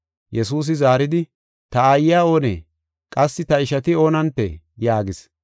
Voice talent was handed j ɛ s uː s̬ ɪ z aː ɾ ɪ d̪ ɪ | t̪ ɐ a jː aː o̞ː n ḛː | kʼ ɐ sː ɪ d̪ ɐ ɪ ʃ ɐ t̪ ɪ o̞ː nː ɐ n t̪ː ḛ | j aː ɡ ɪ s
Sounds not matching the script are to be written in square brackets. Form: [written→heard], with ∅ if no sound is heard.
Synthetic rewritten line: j ɛ s uː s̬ ɪ z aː ɾ ɪ d̪ ɪ | t̪ ɐ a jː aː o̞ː n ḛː | kʼ ɐ sː ɪ [d̪→t̪] ɐ ɪ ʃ ɐ t̪ ɪ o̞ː [nː→n] ɐ n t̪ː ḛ | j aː ɡ ɪ s